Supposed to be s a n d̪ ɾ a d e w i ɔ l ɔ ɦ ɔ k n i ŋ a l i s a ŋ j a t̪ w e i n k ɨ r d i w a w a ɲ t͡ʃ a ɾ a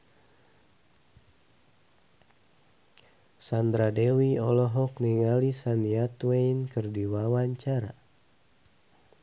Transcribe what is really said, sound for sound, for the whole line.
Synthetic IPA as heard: s a n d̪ ɾ a d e w i ɔ l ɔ ɦ ɔ k n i ŋ a l i s a n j a t̪ w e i n k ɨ r d i w a w a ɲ t͡ʃ a ɾ a